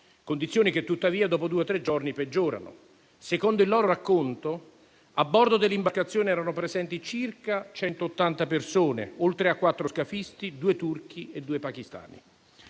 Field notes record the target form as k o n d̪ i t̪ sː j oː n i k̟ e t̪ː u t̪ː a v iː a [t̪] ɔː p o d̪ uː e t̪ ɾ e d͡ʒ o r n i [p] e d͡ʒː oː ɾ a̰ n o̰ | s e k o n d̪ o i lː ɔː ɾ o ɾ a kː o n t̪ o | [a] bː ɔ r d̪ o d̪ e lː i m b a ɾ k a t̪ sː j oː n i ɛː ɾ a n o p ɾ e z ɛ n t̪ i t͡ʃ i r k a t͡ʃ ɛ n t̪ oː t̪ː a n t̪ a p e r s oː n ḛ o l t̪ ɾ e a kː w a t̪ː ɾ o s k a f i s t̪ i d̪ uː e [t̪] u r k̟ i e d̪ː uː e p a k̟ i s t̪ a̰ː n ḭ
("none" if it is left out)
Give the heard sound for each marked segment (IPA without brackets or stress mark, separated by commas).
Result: d̪, p, a, t̪